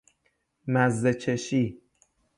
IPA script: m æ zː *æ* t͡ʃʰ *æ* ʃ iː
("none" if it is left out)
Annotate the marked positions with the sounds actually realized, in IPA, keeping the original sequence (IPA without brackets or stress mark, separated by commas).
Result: e, e